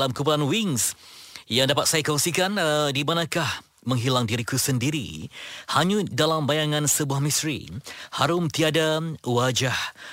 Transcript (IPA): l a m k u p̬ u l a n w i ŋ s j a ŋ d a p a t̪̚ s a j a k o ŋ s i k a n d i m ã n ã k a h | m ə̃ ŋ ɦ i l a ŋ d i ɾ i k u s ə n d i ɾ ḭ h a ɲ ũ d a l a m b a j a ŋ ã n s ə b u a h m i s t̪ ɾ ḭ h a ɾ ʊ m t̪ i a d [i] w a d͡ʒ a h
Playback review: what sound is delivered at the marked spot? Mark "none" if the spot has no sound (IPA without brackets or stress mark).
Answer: a